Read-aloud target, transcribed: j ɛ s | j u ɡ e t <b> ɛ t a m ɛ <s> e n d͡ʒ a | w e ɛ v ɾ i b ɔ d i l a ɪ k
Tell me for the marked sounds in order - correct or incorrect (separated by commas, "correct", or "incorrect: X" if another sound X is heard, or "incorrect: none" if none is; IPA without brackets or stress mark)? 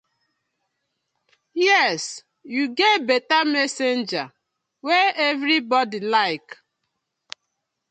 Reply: correct, correct